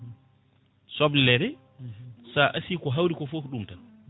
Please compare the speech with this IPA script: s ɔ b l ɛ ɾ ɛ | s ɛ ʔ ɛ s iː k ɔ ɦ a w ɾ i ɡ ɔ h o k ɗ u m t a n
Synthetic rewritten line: s ɔ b l ɛ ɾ ɛ | s a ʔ a s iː k ɔ ɦ a w ɾ i k ɔ f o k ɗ u m t a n